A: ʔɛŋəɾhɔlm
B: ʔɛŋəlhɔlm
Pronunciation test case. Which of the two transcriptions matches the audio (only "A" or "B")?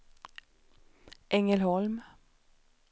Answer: B